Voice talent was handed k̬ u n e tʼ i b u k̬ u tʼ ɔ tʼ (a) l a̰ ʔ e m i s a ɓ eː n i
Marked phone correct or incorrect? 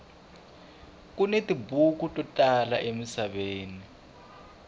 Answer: correct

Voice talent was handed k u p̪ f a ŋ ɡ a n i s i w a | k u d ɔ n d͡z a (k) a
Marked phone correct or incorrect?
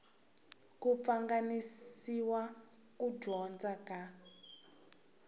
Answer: correct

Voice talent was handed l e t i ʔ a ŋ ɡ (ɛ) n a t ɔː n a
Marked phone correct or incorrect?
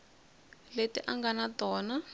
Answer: incorrect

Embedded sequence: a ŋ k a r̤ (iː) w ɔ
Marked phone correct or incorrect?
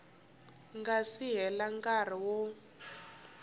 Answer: incorrect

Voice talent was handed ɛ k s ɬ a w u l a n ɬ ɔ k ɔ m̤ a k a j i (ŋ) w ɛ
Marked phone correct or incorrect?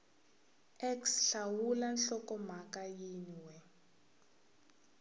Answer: incorrect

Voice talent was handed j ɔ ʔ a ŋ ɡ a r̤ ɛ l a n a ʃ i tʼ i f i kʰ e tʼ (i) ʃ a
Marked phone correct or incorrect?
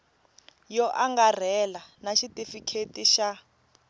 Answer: correct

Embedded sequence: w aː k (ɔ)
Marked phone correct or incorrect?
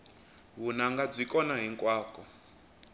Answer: correct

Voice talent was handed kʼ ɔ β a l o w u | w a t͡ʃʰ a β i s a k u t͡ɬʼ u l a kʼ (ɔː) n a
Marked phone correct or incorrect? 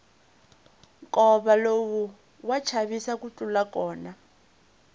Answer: correct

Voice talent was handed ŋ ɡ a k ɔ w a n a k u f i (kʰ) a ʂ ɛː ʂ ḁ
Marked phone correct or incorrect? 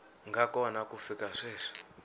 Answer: incorrect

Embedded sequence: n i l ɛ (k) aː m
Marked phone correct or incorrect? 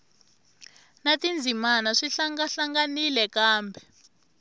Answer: correct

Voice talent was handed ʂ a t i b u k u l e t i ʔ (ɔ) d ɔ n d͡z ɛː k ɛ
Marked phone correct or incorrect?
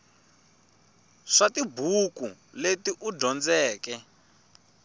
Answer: incorrect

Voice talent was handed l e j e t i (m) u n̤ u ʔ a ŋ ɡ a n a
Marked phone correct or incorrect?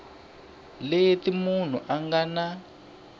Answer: correct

